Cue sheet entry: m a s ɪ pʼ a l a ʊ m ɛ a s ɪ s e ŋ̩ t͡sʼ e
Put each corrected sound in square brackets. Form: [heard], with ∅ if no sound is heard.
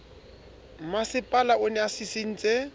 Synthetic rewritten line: m a s ɪ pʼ a l a ʊ [n] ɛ a s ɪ s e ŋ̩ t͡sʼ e